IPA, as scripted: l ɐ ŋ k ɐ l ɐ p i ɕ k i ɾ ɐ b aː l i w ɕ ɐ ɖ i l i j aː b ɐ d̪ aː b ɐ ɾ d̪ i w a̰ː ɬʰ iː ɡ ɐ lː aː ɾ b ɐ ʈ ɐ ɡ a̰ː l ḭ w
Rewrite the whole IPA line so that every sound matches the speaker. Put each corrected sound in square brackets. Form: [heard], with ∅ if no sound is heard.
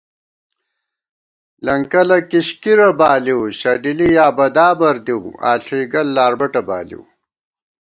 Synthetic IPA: l ɐ ŋ k ɐ l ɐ [k] i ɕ k i ɾ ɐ b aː l i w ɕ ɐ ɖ i l i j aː b ɐ d̪ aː b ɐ ɾ d̪ i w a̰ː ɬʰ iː ɡ ɐ lː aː ɾ b ɐ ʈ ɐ [b] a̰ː l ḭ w